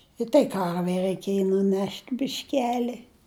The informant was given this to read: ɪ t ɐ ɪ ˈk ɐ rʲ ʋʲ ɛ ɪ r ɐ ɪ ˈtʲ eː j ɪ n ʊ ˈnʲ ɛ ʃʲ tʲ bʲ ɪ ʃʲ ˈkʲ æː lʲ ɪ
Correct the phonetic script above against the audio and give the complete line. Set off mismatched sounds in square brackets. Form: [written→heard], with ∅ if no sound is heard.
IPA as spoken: ɪ t ɐ ɪ ˈk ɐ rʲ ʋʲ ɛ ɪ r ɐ ɪ [ˈtʲ→ˈkʲ] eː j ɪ n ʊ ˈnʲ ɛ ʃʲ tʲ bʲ ɪ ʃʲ ˈkʲ æː lʲ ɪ